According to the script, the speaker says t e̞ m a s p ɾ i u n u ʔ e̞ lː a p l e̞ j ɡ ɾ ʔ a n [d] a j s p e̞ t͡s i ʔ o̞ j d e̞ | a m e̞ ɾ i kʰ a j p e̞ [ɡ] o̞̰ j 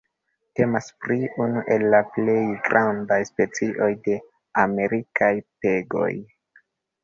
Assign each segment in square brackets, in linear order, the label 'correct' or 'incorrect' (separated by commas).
correct, correct